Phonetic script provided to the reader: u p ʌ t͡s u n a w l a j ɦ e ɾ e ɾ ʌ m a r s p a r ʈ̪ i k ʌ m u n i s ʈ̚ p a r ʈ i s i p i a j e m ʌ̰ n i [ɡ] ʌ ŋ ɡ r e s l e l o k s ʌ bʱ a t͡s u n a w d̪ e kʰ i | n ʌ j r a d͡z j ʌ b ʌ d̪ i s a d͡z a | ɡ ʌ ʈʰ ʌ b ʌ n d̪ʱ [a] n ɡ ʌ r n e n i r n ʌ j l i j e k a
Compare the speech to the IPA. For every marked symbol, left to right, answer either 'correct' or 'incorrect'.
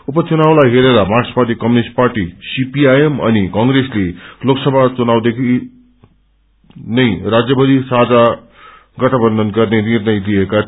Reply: incorrect, incorrect

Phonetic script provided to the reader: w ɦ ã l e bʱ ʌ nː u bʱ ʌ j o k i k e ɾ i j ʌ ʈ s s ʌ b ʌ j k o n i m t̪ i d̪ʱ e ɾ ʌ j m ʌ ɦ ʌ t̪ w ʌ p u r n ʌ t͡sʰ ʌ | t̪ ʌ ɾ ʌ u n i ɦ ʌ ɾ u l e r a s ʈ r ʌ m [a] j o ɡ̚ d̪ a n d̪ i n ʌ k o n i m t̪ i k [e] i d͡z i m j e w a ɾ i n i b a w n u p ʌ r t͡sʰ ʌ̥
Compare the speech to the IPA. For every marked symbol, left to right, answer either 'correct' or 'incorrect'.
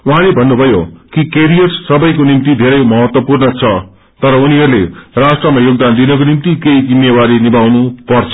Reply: correct, correct

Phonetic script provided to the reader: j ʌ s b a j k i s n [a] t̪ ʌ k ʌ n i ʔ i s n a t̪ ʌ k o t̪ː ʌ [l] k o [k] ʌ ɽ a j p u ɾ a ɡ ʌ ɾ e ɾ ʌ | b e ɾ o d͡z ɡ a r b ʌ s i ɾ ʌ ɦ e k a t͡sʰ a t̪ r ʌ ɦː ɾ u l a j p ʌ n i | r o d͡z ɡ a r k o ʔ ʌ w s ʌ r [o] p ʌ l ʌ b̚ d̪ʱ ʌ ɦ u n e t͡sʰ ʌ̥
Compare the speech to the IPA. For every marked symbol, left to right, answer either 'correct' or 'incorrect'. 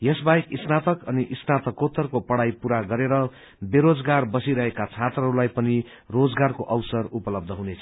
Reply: correct, incorrect, incorrect, incorrect

